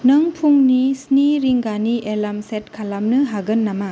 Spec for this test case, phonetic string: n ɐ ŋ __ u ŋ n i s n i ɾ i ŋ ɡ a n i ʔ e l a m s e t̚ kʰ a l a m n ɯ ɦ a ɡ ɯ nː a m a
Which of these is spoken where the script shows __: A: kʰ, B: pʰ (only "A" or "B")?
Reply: B